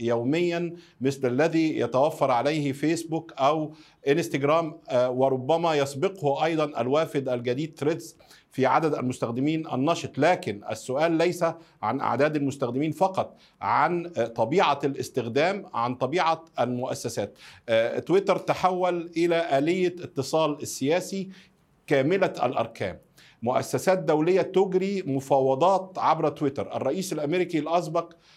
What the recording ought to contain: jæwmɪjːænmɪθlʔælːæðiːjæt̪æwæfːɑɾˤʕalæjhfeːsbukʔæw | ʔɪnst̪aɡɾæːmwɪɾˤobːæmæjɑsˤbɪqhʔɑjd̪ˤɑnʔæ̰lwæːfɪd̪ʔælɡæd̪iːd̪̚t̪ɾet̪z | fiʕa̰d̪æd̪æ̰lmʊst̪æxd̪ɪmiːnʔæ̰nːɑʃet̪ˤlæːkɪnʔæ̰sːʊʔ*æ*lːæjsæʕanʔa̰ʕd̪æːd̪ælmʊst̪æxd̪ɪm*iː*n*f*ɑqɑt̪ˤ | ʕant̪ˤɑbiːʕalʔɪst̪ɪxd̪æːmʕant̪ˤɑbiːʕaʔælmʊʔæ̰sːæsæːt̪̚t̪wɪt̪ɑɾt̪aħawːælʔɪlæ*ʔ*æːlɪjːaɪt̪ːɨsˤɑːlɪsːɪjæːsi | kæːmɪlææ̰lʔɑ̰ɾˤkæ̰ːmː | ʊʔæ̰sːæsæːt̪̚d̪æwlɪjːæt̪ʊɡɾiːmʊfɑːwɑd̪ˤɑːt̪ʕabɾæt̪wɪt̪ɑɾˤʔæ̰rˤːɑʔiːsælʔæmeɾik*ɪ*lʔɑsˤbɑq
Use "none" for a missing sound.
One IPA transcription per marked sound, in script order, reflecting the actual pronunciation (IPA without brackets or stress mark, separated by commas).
æː, iː, f, ʔ, i